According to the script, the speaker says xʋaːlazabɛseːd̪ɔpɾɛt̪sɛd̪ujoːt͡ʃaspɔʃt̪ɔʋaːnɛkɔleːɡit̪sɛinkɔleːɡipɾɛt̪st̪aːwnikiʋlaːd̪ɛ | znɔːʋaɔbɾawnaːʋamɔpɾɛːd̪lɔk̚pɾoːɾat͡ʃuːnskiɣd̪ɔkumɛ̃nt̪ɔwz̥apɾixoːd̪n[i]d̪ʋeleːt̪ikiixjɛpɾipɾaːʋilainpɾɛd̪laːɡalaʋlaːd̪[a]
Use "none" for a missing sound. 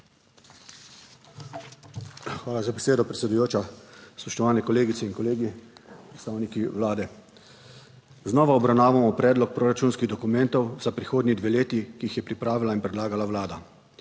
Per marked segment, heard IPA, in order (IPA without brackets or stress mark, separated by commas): i, a